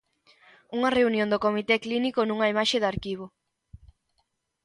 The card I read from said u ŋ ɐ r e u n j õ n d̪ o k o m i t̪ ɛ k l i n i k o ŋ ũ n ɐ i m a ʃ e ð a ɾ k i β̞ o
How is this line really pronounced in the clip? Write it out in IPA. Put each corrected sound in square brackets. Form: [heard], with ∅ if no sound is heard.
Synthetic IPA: u ŋ ɐ r e u n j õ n d̪ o k o m i t̪ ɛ k l i n i k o [n] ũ [ŋ] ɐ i m a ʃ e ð a ɾ k i β̞ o

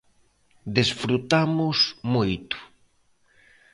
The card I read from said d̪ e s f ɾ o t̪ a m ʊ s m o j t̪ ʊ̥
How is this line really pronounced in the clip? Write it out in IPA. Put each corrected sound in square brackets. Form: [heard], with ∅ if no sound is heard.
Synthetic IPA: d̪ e s f ɾ [u] t̪ a m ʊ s m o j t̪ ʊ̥

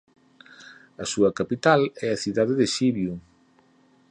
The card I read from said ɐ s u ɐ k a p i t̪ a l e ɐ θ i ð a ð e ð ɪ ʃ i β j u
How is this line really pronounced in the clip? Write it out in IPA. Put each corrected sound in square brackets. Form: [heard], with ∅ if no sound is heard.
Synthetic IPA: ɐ s u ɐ k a p i t̪ a l [ɛ] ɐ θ i ð a ð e ð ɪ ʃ i β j u

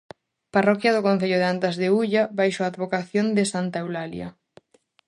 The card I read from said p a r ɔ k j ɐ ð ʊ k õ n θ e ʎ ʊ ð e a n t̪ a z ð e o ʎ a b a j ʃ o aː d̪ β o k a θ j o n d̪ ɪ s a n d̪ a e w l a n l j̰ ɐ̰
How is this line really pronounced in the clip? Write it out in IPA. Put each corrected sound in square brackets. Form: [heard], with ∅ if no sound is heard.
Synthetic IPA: p a r ɔ k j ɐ ð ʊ k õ n θ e ʎ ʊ ð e a n t̪ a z ð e [u] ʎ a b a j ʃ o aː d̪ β o k a θ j o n d̪ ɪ s a n [t̪] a e w l a [∅] l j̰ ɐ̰

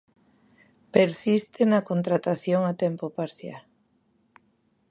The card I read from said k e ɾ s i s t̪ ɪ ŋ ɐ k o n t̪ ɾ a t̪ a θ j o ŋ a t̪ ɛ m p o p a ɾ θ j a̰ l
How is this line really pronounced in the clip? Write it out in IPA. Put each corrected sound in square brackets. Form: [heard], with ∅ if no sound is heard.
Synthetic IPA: [p] e ɾ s i s t̪ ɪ [n] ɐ k o n t̪ ɾ a t̪ a θ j o ŋ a t̪ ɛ m p o p a ɾ θ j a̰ l

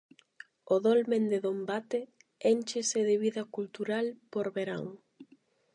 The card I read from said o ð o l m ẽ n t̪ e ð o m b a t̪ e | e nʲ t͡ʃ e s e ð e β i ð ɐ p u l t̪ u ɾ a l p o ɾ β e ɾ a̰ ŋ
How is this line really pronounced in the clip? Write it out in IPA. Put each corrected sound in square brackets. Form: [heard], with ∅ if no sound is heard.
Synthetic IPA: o ð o l m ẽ n [d̪] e ð o m b a t̪ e | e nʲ t͡ʃ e s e ð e β i ð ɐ [k] u l t̪ u ɾ a l p o ɾ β e ɾ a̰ ŋ

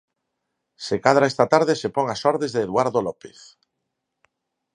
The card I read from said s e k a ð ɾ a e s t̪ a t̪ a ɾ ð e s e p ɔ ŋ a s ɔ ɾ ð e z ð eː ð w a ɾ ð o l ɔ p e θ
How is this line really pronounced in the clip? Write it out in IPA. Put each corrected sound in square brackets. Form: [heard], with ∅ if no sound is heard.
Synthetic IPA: s e k a ð ɾ a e s t̪ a t̪ a ɾ ð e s e p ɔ ŋ a s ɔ ɾ ð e z ð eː ð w a ɾ ð o l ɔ p e θ

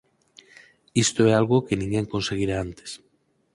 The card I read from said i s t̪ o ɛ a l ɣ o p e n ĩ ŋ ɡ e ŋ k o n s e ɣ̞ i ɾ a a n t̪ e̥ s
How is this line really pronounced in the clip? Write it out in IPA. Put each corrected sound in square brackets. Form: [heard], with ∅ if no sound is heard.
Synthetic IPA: i s t̪ o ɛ a l ɣ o [k] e n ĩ ŋ ɡ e ŋ k o n s e ɣ̞ i ɾ a a n t̪ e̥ s

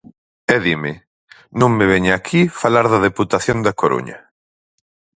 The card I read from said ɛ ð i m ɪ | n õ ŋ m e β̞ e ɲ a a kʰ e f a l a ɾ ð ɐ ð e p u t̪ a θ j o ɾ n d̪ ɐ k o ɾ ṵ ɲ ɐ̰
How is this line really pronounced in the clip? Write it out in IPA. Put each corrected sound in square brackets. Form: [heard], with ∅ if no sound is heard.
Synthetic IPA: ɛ ð i m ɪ | n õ ŋ m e β̞ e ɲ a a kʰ [i] f a l a ɾ ð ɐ ð e p u t̪ a θ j o [∅] n d̪ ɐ k o ɾ ṵ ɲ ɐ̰

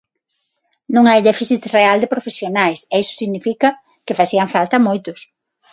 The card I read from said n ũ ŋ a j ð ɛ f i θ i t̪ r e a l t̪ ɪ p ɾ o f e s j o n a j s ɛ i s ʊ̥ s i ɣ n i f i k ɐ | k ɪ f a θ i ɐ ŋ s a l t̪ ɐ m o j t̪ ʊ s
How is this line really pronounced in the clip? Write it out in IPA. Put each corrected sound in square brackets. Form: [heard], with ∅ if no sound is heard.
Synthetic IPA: n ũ ŋ a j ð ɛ f i θ i t̪ r e a l [d̪] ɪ p ɾ o f e s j o n a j s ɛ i s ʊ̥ s i ɣ n i f i k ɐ | k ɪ f a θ i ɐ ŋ [f] a l t̪ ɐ m o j t̪ ʊ s

